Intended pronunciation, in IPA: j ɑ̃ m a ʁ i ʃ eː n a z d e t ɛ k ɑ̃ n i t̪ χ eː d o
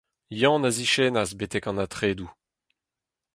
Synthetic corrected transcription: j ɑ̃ n a z i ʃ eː n a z b e t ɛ k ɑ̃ n a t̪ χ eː d u